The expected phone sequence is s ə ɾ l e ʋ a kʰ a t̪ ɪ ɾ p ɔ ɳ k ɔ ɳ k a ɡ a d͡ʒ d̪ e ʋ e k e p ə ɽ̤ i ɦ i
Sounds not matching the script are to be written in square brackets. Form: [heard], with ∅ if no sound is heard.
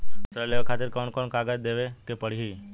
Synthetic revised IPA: s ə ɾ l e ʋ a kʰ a t̪ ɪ ɾ [k] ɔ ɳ k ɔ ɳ k a ɡ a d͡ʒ d̪ e ʋ e k e p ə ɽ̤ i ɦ i